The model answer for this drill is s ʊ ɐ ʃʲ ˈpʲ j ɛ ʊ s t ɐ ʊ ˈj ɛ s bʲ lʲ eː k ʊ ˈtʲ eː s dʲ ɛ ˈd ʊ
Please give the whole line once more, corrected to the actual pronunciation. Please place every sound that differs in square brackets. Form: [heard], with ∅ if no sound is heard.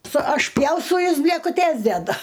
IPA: s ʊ ɐ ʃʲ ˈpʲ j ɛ ʊ s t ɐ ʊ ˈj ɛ s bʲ lʲ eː k ʊ ˈtʲ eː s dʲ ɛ ˈd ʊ